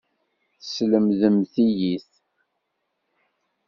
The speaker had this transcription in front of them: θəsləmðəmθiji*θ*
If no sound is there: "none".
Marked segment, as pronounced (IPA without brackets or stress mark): θ